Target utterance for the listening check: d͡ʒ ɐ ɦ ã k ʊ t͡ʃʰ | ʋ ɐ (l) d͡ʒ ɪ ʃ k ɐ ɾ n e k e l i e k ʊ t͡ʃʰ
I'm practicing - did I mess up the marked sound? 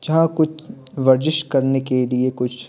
yes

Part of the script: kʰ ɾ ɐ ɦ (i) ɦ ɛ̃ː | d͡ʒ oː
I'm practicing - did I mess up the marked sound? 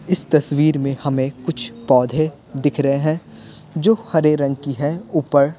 yes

